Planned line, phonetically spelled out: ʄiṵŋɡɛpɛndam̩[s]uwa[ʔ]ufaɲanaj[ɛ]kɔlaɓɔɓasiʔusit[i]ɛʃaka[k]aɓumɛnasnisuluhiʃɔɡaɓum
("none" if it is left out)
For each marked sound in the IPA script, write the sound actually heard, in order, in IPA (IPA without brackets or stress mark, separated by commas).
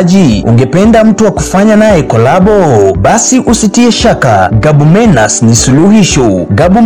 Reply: t, k, ɛ, i, ɡ